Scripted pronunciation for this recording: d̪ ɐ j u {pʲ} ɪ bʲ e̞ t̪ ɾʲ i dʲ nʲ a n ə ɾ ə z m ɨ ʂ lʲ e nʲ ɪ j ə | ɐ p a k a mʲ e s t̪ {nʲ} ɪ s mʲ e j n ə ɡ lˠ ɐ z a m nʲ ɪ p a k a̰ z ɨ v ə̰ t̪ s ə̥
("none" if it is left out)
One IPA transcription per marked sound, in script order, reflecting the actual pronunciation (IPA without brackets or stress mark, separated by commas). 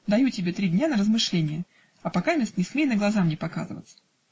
tʲ, nʲ